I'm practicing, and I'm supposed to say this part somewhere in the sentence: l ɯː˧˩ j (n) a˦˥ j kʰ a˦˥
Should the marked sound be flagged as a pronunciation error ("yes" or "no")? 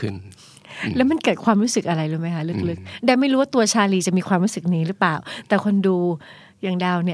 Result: yes